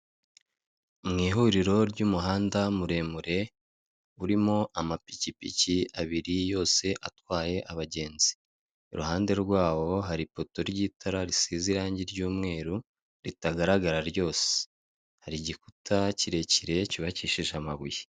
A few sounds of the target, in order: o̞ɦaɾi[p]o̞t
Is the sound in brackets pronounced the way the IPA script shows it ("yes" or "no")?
yes